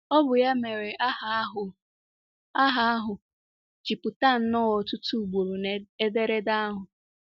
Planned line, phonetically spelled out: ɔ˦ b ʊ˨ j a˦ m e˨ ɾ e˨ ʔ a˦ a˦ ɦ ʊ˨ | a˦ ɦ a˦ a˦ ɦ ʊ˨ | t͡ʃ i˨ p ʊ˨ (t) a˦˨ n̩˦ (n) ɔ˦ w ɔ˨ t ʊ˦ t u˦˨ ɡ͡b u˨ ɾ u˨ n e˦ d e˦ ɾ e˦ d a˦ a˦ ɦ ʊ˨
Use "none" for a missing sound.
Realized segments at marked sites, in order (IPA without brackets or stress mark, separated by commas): t, n